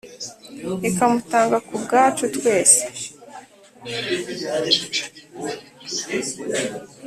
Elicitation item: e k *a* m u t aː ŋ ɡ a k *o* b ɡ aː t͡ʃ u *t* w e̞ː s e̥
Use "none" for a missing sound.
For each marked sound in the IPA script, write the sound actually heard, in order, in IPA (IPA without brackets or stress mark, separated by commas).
a, u, t